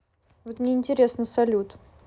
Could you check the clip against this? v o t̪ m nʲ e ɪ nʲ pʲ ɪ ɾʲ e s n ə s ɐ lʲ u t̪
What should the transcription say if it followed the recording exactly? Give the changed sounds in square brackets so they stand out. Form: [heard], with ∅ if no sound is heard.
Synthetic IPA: v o t̪ m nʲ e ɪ nʲ [tʲ] ɪ ɾʲ e s n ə s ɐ lʲ u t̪